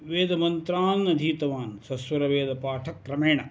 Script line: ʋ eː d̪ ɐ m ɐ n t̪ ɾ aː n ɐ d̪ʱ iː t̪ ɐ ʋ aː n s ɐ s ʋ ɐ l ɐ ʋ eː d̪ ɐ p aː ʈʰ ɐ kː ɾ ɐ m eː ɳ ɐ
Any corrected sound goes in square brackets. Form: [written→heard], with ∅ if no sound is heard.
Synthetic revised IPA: ʋ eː d̪ ɐ m ɐ n t̪ ɾ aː n ɐ d̪ʱ iː t̪ ɐ ʋ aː n s ɐ s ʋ ɐ [l→ɾ] ɐ ʋ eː d̪ ɐ p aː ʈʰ ɐ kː ɾ ɐ m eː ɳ ɐ